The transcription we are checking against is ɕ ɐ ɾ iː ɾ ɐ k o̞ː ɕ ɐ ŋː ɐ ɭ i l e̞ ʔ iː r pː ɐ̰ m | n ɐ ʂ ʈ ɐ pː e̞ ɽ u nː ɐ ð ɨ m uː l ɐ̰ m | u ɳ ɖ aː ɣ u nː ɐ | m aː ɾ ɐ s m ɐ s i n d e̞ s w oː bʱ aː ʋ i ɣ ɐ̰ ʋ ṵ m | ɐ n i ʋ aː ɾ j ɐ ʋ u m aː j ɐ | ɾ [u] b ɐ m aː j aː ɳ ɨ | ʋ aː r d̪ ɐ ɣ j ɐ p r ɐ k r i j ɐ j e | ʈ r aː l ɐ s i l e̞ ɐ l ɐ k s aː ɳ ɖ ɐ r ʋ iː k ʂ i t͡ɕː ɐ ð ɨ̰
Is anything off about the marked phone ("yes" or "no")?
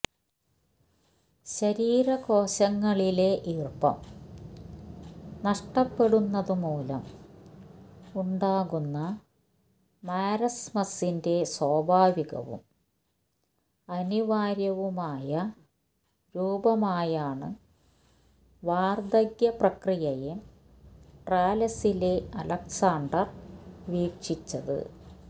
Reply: yes